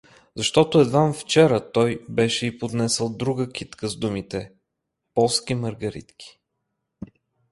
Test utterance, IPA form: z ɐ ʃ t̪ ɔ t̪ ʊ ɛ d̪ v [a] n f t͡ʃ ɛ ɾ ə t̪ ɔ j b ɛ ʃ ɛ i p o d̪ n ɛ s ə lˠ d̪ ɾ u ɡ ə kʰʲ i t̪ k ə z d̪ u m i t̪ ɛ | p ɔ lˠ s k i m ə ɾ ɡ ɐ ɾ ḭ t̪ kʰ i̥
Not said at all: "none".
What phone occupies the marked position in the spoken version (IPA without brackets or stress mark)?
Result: a